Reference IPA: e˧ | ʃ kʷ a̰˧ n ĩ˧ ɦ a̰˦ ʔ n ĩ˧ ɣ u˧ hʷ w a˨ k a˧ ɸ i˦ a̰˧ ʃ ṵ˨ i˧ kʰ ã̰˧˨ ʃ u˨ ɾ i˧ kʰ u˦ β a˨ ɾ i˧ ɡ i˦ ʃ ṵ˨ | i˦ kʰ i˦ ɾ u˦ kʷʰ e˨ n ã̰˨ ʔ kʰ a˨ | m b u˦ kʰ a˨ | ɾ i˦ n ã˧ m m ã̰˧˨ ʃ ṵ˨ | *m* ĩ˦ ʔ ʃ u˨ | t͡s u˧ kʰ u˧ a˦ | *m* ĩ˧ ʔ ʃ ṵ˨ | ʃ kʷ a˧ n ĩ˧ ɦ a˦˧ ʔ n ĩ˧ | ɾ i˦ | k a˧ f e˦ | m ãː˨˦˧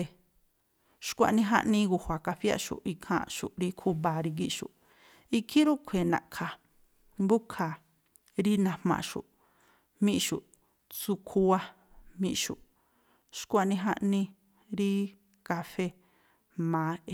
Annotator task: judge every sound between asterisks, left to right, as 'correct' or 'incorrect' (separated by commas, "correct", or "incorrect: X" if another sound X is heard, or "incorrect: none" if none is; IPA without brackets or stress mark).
correct, correct